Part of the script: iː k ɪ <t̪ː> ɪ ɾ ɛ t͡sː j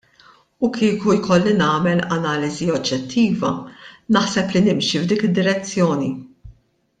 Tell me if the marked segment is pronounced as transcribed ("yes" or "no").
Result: no